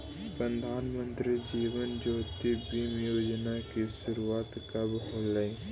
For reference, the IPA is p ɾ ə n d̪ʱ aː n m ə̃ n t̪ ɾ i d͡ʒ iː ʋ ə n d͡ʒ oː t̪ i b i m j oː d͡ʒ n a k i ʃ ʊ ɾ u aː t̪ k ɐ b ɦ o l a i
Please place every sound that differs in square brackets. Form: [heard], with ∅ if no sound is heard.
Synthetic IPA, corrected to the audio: p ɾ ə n d̪ʱ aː n m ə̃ n t̪ ɾ i d͡ʒ iː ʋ ə n d͡ʒ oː t̪ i b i m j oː d͡ʒ n a k i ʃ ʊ ɾ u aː t̪ k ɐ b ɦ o l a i